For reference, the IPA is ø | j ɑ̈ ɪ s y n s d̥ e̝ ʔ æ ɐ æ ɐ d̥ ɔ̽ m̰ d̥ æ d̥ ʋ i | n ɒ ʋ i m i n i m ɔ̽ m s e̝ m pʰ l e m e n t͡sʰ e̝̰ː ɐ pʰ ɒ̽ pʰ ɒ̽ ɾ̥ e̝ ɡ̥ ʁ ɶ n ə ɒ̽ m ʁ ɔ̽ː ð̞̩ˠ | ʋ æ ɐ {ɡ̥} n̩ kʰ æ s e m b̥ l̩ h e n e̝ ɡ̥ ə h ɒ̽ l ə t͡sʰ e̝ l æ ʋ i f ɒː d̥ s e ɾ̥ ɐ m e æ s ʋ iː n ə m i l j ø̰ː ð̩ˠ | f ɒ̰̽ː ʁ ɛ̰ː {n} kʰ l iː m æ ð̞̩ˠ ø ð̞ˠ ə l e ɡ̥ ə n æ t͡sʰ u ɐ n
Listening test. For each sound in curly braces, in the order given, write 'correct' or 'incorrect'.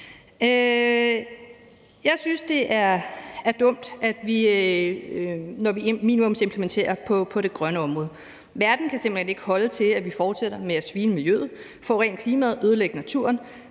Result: incorrect: d̥, correct

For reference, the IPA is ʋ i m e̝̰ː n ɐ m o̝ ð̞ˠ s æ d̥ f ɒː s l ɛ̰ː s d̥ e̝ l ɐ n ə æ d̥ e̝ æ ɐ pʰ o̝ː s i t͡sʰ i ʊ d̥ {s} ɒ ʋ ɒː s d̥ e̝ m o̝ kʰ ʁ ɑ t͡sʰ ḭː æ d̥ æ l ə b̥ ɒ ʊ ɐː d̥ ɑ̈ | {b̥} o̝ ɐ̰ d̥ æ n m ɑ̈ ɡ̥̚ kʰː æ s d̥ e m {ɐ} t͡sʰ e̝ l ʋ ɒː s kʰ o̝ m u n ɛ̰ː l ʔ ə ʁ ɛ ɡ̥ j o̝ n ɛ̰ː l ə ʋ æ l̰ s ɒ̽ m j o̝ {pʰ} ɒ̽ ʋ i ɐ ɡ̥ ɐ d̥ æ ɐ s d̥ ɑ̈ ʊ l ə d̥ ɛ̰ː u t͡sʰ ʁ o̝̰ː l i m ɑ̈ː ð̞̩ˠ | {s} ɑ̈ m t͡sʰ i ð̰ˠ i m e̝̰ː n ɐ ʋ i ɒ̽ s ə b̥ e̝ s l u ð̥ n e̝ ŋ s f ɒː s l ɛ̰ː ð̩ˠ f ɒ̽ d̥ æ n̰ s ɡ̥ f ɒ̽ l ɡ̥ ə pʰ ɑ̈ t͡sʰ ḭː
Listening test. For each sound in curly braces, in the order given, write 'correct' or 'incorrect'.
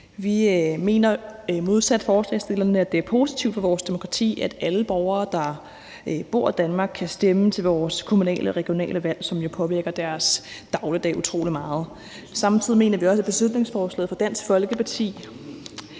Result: incorrect: f, correct, incorrect: ə, correct, correct

